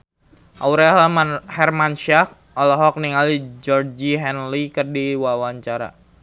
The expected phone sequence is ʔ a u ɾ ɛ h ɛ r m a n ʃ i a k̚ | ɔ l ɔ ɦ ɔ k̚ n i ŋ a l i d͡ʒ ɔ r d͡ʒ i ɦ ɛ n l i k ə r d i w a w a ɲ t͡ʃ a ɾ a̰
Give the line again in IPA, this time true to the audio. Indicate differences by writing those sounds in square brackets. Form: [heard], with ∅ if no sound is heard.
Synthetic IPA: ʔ a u ɾ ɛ h ɛ r m a n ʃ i a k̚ | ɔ l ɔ ɦ ɔ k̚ n i ŋ a l i d͡ʒ ɔ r d͡ʒ i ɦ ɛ n l i k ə r d i w a w a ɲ t͡ʃ a ɾ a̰